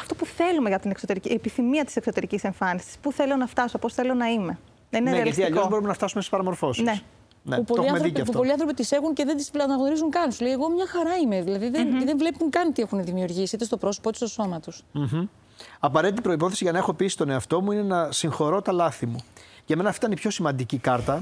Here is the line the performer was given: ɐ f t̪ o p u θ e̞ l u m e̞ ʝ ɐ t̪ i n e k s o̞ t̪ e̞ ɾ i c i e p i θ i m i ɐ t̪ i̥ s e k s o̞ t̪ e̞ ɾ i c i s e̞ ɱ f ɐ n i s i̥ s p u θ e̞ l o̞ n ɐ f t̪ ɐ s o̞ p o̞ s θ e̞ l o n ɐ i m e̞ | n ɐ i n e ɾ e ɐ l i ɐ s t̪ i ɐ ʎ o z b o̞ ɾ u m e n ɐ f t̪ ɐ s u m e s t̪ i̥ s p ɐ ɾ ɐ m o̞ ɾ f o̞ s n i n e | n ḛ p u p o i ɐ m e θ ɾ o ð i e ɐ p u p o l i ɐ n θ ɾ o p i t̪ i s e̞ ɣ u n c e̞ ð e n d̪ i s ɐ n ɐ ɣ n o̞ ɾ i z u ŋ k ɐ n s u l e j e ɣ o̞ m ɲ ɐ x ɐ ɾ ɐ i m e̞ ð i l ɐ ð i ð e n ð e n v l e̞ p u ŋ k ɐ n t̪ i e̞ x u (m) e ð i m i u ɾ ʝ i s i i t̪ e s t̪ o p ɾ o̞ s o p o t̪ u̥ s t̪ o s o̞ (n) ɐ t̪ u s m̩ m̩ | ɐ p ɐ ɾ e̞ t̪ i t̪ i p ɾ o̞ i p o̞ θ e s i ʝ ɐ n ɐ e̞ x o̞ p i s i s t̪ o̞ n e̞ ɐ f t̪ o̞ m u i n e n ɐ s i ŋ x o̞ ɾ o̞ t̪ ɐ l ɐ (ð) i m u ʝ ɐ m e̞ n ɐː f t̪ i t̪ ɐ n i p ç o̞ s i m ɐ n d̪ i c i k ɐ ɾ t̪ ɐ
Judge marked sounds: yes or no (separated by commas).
no, no, no